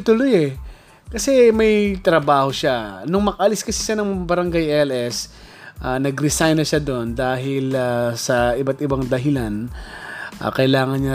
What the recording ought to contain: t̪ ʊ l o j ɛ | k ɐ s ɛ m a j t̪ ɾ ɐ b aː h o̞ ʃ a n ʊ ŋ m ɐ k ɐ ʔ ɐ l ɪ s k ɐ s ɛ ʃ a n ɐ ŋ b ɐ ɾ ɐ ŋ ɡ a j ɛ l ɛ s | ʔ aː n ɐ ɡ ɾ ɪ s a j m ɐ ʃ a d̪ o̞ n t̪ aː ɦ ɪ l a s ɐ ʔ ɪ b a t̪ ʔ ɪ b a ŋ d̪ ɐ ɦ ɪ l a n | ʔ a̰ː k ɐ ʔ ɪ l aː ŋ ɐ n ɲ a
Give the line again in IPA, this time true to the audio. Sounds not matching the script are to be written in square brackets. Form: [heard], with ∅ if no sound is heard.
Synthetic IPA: t̪ ʊ l o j ɛ | k ɐ s ɛ m [ɐ] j t̪ ɾ ɐ b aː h o̞ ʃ a n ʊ ŋ m ɐ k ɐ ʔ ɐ l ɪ s k ɐ s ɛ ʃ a n ɐ ŋ b ɐ ɾ ɐ ŋ ɡ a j ɛ l ɛ s | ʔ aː n ɐ ɡ ɾ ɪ s a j [n] ɐ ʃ a d̪ o̞ n [d̪] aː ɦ ɪ l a s ɐ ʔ ɪ b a t̪ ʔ ɪ b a ŋ d̪ ɐ ɦ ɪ l a n | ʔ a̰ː k ɐ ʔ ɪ l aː ŋ ɐ n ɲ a